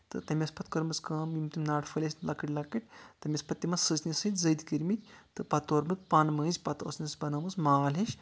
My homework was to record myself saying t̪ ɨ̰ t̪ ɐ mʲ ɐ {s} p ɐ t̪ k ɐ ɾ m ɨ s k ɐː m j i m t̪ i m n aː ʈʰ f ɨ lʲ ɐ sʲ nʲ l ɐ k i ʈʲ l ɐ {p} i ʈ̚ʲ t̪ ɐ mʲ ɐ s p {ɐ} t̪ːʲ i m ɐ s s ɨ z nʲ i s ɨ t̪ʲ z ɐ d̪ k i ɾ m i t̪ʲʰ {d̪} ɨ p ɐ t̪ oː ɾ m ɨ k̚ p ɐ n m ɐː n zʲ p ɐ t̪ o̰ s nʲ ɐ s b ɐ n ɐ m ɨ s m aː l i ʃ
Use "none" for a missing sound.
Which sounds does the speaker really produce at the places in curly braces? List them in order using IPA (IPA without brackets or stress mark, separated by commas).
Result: s, k, ɐ, t̪